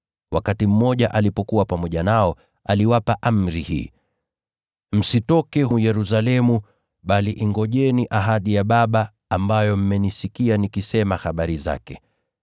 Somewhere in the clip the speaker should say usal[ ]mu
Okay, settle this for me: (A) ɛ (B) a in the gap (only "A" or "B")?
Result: A